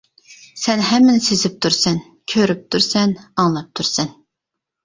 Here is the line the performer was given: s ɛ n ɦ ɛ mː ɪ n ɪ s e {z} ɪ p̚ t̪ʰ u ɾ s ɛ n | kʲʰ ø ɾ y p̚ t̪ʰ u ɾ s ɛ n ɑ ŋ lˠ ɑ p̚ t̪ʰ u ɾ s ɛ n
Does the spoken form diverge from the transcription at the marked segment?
no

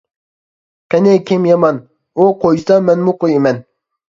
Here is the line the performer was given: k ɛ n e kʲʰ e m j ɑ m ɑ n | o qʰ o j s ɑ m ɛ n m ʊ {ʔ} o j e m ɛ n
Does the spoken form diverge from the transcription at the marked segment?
yes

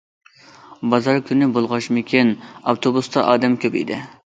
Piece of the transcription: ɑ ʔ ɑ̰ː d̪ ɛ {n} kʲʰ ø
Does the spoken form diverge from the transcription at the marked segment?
yes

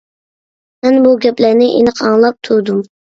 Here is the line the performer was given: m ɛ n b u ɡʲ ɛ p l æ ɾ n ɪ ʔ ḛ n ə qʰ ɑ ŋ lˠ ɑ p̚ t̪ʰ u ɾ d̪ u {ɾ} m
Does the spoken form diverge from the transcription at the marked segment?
yes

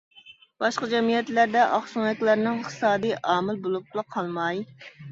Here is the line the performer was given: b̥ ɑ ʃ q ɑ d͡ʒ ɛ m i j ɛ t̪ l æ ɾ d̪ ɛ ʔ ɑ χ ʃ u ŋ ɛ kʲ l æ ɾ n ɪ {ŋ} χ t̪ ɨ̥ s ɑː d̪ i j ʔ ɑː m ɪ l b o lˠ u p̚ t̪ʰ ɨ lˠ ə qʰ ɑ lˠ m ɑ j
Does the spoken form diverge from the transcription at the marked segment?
no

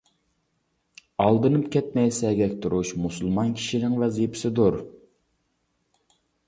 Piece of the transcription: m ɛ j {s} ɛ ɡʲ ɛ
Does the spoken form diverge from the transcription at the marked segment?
no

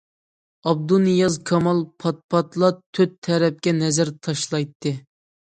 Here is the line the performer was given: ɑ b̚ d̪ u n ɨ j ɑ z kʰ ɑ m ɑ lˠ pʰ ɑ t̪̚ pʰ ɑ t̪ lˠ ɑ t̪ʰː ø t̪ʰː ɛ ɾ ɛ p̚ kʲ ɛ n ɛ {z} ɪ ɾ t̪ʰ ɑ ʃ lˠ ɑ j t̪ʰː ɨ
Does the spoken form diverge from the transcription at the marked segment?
no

